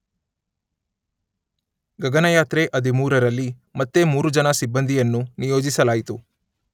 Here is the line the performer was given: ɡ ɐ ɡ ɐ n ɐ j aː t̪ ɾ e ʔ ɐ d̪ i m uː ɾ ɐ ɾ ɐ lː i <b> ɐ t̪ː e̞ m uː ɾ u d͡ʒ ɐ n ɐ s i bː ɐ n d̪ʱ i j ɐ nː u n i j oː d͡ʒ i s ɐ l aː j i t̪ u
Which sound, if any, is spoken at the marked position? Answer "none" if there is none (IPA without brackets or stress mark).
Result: m